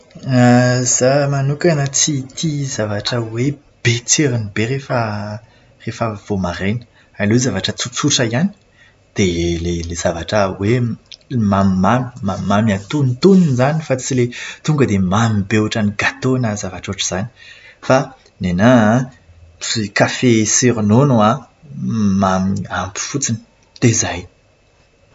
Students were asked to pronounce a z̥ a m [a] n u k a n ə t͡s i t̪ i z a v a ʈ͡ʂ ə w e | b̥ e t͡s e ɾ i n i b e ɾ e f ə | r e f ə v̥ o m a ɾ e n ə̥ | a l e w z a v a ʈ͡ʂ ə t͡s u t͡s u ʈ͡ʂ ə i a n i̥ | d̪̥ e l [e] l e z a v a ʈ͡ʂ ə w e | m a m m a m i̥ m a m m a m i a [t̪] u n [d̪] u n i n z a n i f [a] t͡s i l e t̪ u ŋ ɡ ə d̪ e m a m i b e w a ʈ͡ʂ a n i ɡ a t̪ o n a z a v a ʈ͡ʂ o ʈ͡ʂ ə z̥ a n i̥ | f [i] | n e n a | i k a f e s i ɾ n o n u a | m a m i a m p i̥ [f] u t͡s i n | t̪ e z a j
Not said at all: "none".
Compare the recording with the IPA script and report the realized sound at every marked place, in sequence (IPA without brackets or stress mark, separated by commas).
a, e, t̪, t̪, a, a, f